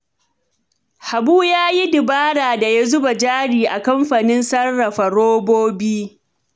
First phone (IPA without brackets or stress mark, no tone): h